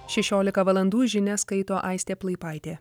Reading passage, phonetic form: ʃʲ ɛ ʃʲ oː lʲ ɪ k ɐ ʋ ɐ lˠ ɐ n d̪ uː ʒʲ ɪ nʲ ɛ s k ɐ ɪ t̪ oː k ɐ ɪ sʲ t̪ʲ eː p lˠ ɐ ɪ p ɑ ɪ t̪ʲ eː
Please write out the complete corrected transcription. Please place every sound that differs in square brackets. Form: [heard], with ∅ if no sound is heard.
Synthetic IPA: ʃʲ ɛ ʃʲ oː lʲ ɪ k ɐ ʋ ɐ lˠ ɐ n d̪ uː ʒʲ ɪ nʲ ɛ s k ɐ ɪ t̪ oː [ʔ] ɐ ɪ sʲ t̪ʲ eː p lˠ ɐ ɪ p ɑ ɪ t̪ʲ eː